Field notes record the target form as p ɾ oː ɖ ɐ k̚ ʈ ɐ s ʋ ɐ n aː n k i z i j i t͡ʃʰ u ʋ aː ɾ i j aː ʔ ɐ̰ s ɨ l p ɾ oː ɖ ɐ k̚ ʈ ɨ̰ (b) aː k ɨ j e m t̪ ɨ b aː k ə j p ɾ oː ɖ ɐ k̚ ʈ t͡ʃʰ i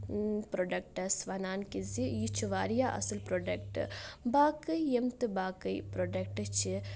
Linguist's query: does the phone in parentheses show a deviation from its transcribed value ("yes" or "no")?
no